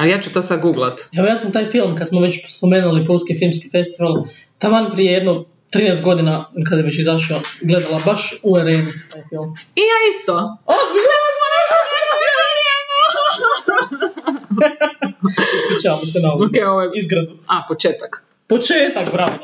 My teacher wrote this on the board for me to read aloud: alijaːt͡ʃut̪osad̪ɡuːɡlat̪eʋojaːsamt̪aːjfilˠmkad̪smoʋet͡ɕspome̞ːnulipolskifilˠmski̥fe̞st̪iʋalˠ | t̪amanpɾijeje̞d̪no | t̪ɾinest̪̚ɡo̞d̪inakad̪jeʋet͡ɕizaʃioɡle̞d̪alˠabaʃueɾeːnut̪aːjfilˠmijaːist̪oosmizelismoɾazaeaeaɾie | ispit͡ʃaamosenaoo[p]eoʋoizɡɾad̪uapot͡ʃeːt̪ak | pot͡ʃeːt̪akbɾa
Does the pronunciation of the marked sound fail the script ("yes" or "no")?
yes